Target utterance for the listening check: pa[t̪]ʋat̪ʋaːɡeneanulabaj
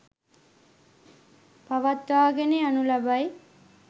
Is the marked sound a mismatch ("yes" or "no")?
yes